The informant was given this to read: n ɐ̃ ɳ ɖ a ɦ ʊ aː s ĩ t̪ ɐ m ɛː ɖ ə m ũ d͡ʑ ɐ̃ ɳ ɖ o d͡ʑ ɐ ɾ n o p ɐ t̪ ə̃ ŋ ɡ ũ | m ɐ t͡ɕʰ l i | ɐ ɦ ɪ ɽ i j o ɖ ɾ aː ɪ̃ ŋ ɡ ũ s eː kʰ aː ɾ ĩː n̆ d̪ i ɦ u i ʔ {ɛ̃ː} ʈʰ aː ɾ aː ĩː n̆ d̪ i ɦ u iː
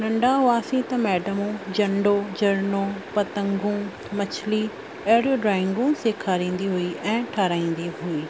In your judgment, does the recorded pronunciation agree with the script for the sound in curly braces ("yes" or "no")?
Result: yes